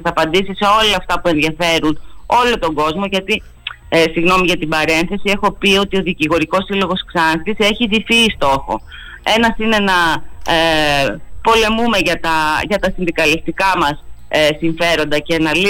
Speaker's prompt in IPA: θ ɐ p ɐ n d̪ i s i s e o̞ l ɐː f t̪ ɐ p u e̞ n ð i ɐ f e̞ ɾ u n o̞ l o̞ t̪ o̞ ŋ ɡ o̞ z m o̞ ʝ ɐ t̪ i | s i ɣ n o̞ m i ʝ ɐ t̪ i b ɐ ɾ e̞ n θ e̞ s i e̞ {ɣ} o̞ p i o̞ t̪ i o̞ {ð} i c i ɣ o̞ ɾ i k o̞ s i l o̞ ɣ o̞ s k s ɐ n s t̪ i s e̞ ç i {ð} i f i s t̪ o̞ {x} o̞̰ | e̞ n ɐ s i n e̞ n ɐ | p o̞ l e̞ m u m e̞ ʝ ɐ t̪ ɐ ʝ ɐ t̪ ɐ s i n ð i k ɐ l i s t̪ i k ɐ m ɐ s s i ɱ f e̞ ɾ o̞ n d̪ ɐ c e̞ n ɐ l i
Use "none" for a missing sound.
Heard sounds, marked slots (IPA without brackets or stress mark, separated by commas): x, ð, ð, x